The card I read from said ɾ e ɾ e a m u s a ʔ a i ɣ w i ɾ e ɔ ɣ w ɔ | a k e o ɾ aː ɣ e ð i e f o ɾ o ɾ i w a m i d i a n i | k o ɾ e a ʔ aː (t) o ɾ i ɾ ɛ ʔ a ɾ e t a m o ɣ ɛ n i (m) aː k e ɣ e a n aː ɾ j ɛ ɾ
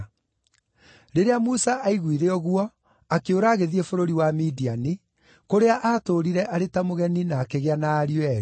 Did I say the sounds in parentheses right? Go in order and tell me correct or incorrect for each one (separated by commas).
correct, incorrect